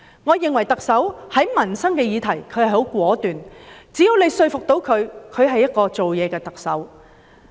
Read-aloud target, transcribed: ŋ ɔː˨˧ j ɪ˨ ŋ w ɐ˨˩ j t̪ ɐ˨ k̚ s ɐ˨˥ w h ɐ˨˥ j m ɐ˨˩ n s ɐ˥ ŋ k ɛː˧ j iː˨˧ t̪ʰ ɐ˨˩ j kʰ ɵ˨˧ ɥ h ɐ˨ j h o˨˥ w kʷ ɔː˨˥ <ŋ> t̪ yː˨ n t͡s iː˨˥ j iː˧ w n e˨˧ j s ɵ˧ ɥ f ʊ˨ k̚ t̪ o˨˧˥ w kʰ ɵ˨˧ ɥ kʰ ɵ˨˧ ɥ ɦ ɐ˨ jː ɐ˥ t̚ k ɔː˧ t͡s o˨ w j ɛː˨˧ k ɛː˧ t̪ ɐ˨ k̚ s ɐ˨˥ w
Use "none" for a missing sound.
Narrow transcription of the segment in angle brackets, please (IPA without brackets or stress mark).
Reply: none